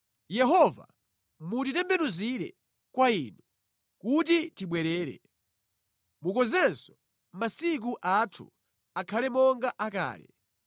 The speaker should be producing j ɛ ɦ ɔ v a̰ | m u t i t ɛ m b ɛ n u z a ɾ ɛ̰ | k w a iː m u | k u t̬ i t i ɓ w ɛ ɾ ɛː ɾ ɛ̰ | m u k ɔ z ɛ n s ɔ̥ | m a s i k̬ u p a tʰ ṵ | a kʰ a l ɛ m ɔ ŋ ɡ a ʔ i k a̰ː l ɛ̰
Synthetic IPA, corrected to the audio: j ɛ ɦ ɔ v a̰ | m u t i t ɛ m b ɛ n u z i ɾ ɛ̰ | k w a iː n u | k u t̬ i t i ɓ w ɛ ɾ ɛː ɾ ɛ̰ | m u k ɔ z ɛ n s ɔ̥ | m a s i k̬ u ʔ a tʰ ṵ | a kʰ a l ɛ m ɔ ŋ ɡ a ʔ a k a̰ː l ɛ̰